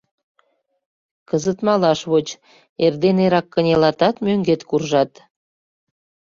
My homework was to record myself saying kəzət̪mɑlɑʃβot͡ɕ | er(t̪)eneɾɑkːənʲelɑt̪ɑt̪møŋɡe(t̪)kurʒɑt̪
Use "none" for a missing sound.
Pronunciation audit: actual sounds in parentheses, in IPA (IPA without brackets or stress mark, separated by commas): d̪, t̪